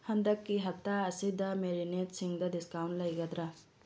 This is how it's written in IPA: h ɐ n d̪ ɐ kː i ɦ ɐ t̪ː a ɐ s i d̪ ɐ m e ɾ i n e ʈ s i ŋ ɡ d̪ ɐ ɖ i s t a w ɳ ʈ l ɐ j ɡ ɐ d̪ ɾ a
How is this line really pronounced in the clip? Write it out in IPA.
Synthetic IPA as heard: h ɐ n d̪ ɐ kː i ɦ ɐ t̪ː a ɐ s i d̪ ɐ m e ɾ i n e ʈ s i ŋ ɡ d̪ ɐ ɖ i s k a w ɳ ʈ l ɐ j ɡ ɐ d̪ ɾ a